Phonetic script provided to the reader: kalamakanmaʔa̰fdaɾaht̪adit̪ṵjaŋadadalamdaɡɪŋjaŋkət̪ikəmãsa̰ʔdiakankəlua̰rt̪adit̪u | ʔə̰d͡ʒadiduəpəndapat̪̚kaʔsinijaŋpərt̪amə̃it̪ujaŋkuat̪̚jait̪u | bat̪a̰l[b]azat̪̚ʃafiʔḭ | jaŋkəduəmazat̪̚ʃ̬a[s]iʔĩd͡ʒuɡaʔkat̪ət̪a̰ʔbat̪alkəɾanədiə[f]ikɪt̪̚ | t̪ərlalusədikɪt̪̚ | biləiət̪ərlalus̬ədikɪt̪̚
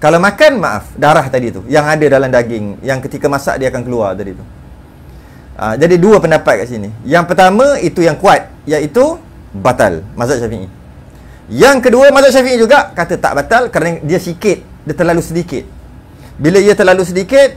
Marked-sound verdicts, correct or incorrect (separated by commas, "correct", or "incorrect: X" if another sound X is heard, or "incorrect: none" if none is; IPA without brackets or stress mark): incorrect: m, incorrect: f, incorrect: s